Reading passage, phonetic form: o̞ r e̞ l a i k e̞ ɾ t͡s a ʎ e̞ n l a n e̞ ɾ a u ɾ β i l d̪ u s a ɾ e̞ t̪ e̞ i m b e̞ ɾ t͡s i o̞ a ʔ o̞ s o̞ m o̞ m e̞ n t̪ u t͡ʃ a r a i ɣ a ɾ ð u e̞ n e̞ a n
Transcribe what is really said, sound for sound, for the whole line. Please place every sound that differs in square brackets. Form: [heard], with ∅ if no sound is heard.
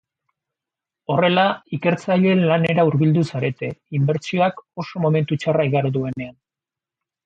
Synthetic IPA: o̞ r e̞ l a i k e̞ ɾ t͡s a ʎ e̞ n l a n e̞ ɾ a u ɾ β i l d̪ u s a ɾ e̞ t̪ e̞ i m b e̞ ɾ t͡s i o̞ a [k] o̞ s o̞ m o̞ m e̞ n t̪ u t͡ʃ a r a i ɣ a ɾ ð u e̞ n e̞ a n